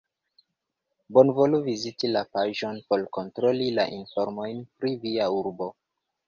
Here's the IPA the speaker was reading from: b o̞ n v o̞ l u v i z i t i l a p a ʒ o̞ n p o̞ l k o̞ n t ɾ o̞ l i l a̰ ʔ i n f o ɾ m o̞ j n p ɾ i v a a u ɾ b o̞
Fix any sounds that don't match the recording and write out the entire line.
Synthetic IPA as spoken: b o̞ n v o̞ l u v i z i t i l a p a ʒ o̞ n p o̞ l k o̞ n t ɾ o̞ l i l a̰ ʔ i n f o ɾ m o̞ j n p ɾ i v i a u ɾ b o̞